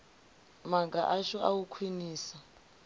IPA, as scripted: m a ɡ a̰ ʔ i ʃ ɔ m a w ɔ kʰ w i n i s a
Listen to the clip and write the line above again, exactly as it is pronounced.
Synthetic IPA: m a ɡ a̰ ʔ a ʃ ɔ a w u kʰ w i n iː s a

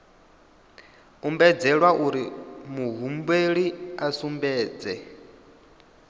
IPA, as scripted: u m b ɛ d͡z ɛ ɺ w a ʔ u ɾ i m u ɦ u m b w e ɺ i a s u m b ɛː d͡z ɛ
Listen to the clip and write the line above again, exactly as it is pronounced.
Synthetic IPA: u m b ɛ d͡z ɛ ɺ w a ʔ u ɾ i m u ɦ u m b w e ɺ i a s u m b ɛː d͡z ɛ

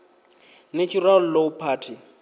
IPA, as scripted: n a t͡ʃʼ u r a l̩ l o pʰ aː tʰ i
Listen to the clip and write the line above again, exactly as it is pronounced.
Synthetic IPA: n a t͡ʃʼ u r a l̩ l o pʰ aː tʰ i

